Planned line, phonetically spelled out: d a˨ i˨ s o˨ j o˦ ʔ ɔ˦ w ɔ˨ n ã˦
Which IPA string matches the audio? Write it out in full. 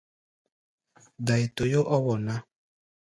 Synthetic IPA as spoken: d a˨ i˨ t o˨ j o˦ ʔ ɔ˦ w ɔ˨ n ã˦